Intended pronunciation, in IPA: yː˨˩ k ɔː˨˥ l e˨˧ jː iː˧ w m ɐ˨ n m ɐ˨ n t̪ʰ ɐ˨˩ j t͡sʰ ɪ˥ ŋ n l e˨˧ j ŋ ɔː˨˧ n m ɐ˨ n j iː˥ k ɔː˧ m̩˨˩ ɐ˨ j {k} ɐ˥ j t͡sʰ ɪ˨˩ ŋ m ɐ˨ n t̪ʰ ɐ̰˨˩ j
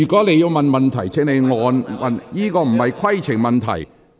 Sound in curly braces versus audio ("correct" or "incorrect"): incorrect